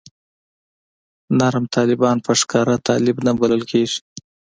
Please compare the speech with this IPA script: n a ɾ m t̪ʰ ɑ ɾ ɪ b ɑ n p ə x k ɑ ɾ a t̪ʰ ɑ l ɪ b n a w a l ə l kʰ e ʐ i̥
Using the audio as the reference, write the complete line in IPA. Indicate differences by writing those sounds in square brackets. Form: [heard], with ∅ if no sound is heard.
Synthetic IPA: n a ɾ m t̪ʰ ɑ [l] ɪ b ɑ n p ə [ʂ] k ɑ ɾ a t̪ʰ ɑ l ɪ b n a [b] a l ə l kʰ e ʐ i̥